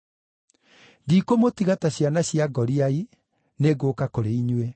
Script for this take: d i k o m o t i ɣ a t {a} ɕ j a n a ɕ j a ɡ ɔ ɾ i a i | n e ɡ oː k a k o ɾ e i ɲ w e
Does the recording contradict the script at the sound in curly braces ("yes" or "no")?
no